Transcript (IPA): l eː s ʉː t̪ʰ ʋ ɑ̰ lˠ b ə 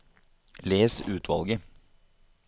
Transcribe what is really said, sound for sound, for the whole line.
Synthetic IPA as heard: l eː s ʉː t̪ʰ ʋ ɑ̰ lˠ ɡ ə